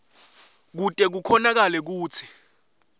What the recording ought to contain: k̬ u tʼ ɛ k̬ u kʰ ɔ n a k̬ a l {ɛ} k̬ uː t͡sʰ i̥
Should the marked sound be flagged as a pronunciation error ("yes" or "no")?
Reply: no